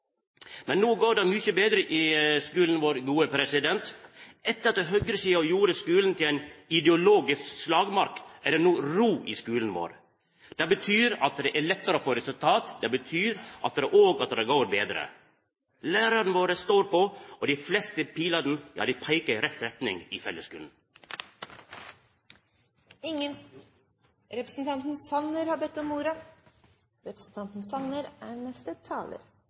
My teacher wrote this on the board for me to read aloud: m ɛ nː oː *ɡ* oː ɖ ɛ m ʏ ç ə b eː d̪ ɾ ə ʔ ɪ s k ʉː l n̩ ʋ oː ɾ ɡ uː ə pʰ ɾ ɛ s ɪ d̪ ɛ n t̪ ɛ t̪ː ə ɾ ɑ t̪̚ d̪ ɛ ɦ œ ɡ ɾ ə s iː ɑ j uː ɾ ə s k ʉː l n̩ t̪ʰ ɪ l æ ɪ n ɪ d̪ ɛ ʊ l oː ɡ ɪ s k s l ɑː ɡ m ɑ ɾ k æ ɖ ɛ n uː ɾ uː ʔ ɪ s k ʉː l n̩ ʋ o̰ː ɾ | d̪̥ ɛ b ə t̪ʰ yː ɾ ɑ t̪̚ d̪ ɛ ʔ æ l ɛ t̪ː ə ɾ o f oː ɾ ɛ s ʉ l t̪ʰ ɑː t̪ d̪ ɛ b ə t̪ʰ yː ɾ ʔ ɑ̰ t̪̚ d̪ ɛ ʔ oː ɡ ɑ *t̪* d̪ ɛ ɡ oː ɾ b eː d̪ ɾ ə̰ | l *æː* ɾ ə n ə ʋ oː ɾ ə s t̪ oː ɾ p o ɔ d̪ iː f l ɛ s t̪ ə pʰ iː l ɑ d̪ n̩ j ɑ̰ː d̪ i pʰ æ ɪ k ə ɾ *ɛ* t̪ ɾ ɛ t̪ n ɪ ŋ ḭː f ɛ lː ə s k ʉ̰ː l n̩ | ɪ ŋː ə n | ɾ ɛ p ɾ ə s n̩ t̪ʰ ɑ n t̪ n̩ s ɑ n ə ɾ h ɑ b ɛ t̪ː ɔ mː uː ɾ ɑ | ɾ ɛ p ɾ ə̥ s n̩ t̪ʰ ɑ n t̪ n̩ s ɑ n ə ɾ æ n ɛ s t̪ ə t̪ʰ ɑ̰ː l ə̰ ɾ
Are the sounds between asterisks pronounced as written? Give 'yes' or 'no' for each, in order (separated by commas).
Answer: yes, yes, yes, yes